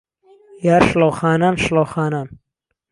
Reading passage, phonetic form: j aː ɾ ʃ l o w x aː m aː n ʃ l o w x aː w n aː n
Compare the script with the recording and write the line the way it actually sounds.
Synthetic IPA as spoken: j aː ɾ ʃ l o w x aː n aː n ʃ l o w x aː n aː n

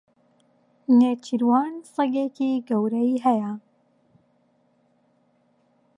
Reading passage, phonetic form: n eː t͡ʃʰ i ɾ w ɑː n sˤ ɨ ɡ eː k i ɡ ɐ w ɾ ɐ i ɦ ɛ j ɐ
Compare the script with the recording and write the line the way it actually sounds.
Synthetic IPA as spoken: n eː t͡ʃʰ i ɾ w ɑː n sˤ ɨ ɡ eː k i ɡ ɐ w ɾ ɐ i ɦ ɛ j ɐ

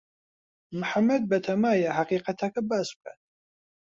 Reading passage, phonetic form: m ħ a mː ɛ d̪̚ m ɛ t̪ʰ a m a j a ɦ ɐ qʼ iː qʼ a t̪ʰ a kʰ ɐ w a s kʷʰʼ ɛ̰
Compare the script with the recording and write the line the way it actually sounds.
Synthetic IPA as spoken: m ħ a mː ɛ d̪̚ b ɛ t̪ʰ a m a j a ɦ a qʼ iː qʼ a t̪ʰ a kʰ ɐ b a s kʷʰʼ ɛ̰

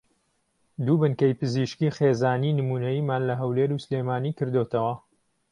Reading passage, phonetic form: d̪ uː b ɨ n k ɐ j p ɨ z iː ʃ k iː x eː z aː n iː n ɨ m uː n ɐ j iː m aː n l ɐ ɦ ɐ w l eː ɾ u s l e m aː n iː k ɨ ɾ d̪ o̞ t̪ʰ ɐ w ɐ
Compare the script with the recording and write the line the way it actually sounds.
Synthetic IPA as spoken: d̪ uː b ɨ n k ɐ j p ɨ z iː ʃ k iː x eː z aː n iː n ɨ m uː n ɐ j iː m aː n l ɐ ɦ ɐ w l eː ɾ u s l e m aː n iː k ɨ ɾ d̪ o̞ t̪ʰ ɐ w ɐ

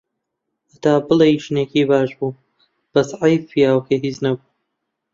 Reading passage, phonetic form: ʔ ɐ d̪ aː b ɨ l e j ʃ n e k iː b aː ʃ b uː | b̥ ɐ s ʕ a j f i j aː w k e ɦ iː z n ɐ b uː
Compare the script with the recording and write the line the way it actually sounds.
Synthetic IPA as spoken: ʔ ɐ t̪ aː b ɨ l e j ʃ n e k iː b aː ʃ b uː | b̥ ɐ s ʕ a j f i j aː w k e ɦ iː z n ɐ b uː

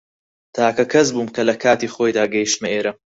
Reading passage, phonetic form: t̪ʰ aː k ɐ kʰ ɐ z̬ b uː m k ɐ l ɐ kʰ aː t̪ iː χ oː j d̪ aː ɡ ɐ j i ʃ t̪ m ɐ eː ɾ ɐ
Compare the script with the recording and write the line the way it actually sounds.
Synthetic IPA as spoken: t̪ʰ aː k ɐ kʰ ɐ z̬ b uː m k ɐ l ɐ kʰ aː t̪ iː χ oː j d̪ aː ɡ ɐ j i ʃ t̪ m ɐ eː ɾ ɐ

